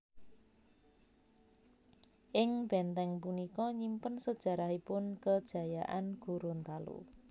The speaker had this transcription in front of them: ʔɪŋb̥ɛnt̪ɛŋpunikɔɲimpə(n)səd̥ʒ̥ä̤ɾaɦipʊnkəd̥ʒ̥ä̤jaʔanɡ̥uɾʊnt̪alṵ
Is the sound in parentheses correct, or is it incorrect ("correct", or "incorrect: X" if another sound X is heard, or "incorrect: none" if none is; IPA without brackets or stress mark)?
correct